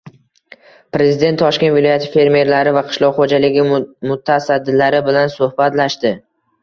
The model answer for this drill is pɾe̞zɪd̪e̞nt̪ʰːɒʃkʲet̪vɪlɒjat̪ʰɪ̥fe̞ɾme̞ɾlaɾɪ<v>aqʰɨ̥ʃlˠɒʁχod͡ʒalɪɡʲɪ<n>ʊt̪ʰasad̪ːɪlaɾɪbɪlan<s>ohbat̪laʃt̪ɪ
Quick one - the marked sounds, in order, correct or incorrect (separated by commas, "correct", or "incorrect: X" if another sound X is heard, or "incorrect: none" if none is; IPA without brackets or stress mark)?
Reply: correct, incorrect: m, correct